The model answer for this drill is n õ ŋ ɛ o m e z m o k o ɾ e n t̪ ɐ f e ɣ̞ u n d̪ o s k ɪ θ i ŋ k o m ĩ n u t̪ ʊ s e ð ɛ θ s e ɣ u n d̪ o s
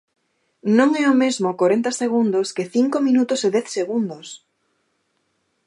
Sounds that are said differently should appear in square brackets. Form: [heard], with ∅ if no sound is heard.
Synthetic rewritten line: n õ ŋ ɛ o m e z m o k o ɾ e n t̪ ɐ [s] e ɣ̞ u n d̪ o s k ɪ θ i ŋ k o m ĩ n u t̪ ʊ s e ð ɛ θ s e ɣ u n d̪ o s